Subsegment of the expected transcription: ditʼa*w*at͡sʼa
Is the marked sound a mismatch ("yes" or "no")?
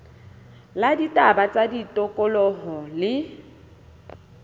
yes